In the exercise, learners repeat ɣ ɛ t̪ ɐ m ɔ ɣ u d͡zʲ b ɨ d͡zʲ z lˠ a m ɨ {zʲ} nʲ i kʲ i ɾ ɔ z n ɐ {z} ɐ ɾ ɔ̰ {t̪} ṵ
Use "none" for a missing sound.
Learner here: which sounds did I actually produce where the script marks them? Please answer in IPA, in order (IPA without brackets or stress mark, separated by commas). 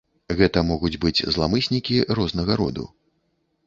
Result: sʲ, ɣ, d̪